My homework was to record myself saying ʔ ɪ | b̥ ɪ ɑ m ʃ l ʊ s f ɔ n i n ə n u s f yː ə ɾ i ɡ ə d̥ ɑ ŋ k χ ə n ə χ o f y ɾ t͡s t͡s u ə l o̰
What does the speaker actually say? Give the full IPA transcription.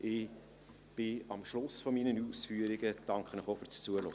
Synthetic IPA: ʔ ɪ | b̥ ɪ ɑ m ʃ l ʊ s f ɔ m i n ə n u s f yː ə ɾ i ɡ ə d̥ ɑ ŋ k χ ə n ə χ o f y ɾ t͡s t͡s u ə l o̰

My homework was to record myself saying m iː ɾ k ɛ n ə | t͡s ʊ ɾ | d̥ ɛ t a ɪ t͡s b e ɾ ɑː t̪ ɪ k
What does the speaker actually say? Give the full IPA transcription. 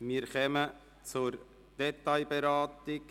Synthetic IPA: m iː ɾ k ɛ m ə | t͡s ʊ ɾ | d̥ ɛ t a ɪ b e ɾ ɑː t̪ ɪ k

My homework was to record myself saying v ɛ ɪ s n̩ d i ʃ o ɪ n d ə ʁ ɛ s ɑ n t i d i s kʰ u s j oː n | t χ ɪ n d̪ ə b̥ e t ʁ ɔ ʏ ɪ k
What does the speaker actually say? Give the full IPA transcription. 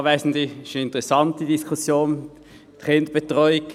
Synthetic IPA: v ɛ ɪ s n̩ d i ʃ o ɪ n t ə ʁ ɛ s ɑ n t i d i s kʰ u s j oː n | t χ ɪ n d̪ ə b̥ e t ʁ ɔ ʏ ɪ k

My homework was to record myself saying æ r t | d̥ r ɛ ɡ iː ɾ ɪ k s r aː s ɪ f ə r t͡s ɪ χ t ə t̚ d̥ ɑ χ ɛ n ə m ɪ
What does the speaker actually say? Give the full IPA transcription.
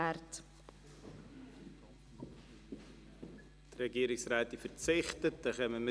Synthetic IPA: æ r t | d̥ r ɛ ɡ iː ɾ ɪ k s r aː t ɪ f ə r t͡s ɪ χ t ə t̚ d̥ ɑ χ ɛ m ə m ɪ

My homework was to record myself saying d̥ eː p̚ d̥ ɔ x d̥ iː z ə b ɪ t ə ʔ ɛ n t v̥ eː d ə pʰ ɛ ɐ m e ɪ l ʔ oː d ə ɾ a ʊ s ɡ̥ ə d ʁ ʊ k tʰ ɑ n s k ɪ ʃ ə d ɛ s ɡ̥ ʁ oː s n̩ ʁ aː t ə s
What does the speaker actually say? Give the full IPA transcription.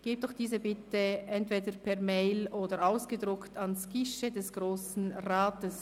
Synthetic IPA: ɡ̥ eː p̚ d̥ ɔ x d̥ iː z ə b ɪ t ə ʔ ɛ n t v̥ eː d ə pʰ ɛ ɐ m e ɪ l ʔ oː d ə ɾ a ʊ s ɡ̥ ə d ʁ ʊ k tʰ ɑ n s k ɪ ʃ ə d ɛ s ɡ̥ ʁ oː s n̩ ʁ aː t ə s

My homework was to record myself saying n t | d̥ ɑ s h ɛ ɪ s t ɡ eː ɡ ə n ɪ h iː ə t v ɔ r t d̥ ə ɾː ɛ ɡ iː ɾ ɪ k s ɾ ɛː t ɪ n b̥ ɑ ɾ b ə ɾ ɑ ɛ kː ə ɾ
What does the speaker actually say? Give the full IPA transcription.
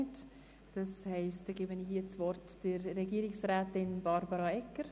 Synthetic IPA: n t | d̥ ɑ s h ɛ ɪ s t ɡ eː b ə n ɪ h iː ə t͡s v ɔ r t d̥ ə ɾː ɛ ɡ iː ɾ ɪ k s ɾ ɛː t ɪ n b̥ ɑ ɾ b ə ɾ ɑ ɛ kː ə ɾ

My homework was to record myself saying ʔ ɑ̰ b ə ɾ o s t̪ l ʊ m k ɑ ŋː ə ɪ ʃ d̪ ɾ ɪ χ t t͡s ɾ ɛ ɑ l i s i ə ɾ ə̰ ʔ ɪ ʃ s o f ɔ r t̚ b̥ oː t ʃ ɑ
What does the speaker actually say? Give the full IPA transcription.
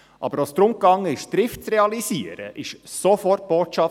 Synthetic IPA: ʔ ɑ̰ b ə ɾ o s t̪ ɾ ʊ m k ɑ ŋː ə ɪ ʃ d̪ ɾ ɪ f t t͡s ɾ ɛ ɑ l i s i ə ɾ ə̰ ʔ ɪ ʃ s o f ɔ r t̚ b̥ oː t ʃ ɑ

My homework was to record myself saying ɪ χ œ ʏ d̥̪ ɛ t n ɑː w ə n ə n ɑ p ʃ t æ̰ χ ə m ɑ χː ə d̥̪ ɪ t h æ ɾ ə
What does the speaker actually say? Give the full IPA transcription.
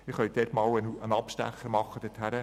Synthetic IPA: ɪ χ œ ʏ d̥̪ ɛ t m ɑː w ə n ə n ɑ p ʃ t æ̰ χ ə m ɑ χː ə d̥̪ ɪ t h æ ɾ ə

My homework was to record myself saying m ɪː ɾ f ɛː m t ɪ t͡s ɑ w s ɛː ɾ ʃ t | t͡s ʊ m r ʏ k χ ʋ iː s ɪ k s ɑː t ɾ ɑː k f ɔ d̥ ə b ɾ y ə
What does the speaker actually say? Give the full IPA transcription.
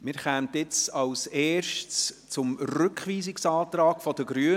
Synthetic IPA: m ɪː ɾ χ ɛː m t ɪ t͡s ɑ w s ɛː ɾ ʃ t | t͡s ʊ m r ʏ k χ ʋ iː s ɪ k s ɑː t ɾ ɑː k f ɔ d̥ ə ɡ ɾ y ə

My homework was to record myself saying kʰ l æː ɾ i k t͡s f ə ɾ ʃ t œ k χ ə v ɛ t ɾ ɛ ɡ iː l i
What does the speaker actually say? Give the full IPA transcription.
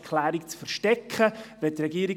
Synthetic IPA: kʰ l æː ɾ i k t͡s f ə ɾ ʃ t ɛ k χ ə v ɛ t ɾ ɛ ɡ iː ɾ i

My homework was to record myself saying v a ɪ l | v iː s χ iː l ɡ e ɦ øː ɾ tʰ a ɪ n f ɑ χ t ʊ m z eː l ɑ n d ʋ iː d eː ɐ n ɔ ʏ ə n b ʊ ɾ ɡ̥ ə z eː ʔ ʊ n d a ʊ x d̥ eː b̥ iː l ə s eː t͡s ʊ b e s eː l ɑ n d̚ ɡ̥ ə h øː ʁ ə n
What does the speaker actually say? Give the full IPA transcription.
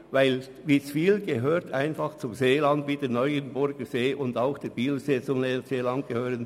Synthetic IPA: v a ɪ l | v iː s f iː l ɡ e ɦ øː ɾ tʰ a ɪ n f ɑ χ t͡s ʊ m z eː l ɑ n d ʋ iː d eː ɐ n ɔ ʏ ə n b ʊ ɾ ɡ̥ ə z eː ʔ ʊ n d a ʊ x d̥ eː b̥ iː l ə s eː t͡s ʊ m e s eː l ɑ n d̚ ɡ̥ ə h øː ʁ ə n

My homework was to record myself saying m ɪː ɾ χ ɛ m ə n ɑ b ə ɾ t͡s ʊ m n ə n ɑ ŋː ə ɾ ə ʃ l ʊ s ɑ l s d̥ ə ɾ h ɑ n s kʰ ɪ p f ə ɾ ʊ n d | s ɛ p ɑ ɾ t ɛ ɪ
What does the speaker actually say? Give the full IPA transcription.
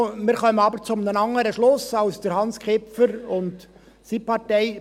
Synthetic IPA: m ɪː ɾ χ œ m ə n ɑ b ə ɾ t͡s ʊ m n ə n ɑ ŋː ə ɾ ə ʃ l ʊ s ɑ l s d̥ ə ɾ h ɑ n s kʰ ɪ p f ə ɾ ʊ n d | s i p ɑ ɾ t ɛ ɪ

